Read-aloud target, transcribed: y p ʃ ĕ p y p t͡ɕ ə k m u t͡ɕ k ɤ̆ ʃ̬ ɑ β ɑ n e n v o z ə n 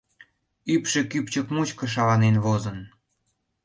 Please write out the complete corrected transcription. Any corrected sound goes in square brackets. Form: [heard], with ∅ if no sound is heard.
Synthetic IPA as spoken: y p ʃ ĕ [k] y p t͡ɕ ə k m u t͡ɕ k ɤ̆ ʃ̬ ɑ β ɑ n e n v o z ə n

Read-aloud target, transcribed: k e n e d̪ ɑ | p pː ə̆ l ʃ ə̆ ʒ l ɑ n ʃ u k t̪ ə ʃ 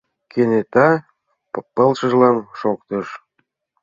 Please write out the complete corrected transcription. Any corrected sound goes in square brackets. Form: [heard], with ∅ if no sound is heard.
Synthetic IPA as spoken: k e n e [t̪] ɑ | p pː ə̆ l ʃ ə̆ ʒ l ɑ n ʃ [o] k t̪ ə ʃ

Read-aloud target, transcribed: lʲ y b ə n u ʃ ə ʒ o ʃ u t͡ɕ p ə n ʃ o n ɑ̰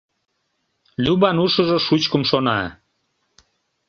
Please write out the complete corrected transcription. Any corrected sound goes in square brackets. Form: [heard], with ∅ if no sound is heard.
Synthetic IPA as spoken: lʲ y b [ɑ] n u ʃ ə ʒ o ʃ u t͡ɕ [k] ə [m] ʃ o n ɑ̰

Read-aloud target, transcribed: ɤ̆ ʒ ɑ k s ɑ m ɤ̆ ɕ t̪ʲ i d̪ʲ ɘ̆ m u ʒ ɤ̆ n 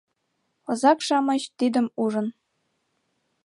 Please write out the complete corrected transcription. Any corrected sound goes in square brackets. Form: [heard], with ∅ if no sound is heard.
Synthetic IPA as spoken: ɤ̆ [z] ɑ k [ʂ] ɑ m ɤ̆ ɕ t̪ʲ i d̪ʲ ɘ̆ m u [ʐ] ɤ̆ n

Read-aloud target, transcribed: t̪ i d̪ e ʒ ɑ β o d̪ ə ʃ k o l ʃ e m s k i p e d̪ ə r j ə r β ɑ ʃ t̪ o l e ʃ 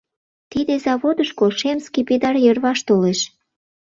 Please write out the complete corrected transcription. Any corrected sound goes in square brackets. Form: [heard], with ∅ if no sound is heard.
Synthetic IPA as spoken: t̪ i d̪ e [z] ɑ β o d̪ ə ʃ k o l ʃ e m s k i p e d̪ [ɑ] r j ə r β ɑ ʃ t̪ o l e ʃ

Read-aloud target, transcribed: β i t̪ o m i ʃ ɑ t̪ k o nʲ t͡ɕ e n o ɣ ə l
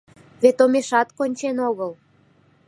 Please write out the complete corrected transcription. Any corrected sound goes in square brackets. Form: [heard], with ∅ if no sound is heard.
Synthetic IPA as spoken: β [e] t̪ o m [e] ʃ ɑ t̪ k o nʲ t͡ɕ e n o ɣ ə l

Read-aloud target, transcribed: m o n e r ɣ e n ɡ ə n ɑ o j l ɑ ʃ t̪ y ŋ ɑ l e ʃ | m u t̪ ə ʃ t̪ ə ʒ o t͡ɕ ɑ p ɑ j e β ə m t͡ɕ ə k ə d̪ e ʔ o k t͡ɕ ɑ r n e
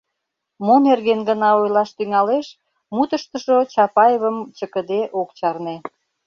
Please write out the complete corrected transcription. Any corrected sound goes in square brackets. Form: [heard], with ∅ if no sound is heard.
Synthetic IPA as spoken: m o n e r ɣ e n ɡ ə n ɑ o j l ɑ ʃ t̪ y ŋ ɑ l e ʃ | m u t̪ ə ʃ t̪ ə [ʃ] o t͡ɕ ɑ p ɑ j e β ə m t͡ɕ ə k ə d̪ e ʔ o k t͡ɕ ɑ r n e

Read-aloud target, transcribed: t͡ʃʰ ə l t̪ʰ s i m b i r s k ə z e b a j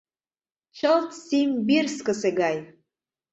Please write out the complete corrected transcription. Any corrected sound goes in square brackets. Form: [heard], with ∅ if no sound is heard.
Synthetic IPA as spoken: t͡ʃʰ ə l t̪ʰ s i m b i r s k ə [s] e [ɡ] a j

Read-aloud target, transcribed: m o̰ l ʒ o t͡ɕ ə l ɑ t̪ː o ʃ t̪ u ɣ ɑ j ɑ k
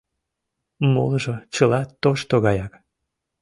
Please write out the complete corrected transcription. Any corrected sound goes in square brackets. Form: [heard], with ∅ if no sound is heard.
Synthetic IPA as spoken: m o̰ l ʒ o t͡ɕ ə l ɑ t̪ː o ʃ t̪ [o] ɣ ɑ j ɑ k

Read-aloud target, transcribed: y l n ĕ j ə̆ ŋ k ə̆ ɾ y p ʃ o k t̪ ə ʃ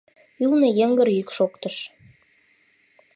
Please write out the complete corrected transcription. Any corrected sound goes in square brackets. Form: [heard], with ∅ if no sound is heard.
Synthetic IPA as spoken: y l n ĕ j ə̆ ŋ [ɡ] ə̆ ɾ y [k] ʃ o k t̪ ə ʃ

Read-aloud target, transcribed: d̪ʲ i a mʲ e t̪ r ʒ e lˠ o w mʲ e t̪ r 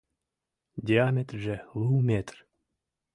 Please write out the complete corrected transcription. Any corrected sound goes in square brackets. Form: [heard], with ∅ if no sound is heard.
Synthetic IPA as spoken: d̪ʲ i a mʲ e t̪ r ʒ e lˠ [u] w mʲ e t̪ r

